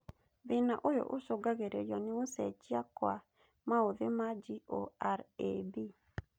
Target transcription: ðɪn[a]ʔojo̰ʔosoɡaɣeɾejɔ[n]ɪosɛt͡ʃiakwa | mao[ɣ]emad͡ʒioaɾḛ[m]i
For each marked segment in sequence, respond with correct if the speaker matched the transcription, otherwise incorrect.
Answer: correct, correct, incorrect: ð, incorrect: b

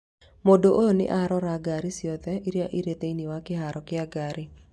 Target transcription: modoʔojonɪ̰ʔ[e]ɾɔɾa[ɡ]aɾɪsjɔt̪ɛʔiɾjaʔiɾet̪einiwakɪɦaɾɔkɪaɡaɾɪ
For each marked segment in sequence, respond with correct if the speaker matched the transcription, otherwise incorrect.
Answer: incorrect: a, correct

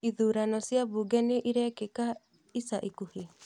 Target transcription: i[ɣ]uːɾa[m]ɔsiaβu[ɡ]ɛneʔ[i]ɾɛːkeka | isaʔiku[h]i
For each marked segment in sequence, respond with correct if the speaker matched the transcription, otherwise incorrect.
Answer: incorrect: ð, incorrect: n, correct, correct, correct

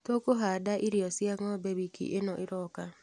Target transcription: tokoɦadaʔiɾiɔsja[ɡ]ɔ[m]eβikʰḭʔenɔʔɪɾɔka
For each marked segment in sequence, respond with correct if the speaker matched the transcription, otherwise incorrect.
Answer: incorrect: ŋ, incorrect: b

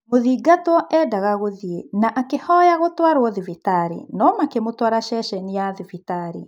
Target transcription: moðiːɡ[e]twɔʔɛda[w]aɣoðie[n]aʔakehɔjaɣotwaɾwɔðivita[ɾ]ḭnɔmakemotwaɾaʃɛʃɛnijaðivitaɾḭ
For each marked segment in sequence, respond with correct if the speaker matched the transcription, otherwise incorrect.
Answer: incorrect: a, incorrect: ɣ, correct, correct

